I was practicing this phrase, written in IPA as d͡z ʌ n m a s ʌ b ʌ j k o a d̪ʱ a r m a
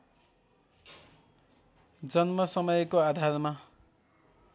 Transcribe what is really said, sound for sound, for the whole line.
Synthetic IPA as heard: d͡z ʌ n m ʌ s ʌ m ʌ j k o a d̪ʱ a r m a